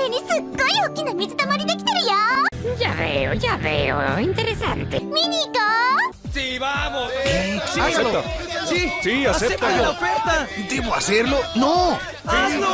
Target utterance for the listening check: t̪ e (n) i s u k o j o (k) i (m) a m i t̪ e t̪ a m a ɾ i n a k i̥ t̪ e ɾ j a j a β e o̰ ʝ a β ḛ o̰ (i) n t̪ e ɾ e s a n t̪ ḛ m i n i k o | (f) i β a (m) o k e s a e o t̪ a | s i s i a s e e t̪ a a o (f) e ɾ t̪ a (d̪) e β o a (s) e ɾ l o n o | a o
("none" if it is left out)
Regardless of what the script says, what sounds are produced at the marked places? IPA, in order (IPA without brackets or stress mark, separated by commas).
n, k, n, i, s, m, f, d̪, s